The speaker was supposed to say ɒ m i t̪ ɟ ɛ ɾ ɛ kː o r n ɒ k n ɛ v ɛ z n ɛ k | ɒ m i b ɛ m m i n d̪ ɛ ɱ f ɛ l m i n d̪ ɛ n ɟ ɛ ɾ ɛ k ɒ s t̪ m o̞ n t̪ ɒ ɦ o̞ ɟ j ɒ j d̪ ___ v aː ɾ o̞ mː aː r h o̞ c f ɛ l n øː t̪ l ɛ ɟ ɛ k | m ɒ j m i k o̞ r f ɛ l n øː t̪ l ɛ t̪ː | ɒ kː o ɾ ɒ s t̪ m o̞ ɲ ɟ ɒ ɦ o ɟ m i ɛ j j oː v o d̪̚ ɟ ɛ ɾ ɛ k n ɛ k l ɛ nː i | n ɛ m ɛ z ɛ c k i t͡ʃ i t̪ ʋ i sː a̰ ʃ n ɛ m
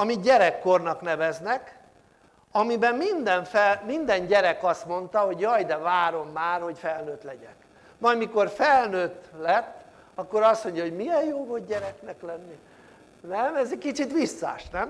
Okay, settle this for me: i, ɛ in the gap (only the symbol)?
ɛ